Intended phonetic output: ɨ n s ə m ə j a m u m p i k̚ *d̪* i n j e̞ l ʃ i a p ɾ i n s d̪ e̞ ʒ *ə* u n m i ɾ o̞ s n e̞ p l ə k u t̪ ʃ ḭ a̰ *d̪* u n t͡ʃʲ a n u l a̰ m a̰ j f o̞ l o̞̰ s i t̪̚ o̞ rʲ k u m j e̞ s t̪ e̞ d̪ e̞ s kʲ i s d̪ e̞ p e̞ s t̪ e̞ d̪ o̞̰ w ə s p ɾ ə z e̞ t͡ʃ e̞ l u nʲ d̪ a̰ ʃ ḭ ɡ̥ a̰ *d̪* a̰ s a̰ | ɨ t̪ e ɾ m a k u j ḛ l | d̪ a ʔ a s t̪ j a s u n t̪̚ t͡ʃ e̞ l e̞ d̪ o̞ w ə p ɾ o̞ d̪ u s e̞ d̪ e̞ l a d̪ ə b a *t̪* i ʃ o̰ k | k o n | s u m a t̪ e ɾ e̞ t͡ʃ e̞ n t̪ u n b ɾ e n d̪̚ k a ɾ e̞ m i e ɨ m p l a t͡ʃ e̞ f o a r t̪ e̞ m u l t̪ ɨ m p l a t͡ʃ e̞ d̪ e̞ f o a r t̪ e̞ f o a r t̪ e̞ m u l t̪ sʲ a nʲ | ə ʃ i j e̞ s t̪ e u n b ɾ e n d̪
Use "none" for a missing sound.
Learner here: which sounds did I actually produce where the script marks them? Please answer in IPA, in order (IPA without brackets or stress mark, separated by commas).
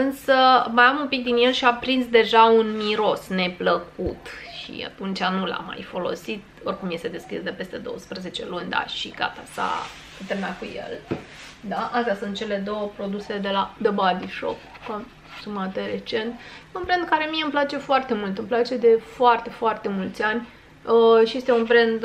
d̪, a, t̪, t̪, d̪